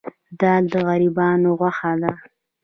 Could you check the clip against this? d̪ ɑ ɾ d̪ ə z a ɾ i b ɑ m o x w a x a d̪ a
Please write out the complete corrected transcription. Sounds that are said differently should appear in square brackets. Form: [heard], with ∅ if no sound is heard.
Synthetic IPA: d̪ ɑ [l] d̪ ə [ɣ] a ɾ i b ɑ [n] o [ɣ] w a x a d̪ a